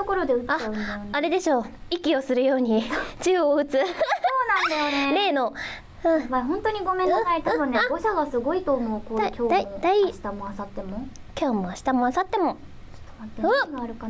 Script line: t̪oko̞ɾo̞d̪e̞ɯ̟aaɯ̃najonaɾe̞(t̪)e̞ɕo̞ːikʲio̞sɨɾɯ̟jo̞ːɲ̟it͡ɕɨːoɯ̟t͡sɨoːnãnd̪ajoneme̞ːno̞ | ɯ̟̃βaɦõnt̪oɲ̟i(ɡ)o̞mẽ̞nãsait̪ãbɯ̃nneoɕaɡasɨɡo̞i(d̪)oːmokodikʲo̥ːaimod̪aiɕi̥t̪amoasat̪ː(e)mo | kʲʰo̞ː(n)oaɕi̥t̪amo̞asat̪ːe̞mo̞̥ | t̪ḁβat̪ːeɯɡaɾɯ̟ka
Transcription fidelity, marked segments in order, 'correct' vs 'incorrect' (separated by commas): incorrect, correct, incorrect, correct, incorrect